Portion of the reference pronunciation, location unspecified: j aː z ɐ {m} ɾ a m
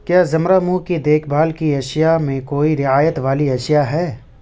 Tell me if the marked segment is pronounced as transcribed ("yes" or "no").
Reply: yes